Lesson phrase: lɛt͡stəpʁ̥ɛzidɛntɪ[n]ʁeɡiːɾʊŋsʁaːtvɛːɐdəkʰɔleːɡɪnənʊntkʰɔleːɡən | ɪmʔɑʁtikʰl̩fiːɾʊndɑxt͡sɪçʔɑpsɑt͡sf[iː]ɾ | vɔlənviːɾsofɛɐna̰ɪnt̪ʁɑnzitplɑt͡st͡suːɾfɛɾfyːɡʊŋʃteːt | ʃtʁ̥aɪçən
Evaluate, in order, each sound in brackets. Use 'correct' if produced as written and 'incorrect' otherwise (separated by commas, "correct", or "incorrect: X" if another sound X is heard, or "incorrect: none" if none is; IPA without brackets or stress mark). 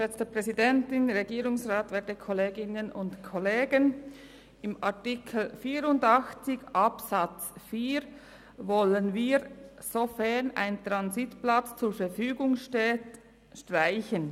correct, correct